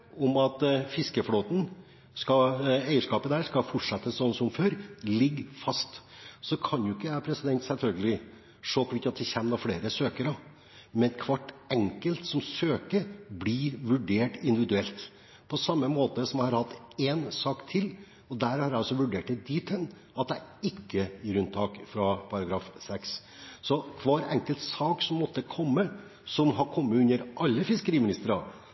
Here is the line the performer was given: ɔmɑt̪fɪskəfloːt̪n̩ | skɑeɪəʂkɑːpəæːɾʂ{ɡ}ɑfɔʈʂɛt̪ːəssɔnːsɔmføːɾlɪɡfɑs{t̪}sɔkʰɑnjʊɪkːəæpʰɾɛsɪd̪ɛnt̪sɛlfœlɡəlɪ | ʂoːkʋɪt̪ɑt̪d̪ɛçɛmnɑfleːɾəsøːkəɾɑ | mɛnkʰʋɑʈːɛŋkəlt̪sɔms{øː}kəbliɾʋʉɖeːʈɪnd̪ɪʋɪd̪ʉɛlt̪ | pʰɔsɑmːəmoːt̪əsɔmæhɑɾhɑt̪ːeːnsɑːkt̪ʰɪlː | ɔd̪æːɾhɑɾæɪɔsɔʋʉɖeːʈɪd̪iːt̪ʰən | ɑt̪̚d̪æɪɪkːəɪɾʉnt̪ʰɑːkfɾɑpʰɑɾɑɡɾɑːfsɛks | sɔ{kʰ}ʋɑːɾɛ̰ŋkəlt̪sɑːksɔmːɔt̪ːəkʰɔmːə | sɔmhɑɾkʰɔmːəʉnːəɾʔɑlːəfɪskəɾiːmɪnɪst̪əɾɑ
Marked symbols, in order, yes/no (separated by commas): no, yes, yes, yes